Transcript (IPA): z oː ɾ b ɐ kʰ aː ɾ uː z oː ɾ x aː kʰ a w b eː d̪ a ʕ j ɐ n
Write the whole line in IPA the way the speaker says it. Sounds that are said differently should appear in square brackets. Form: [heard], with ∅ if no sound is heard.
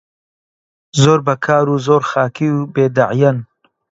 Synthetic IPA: z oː ɾ b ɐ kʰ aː ɾ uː z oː ɾ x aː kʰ [i] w b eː d̪ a ʕ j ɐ n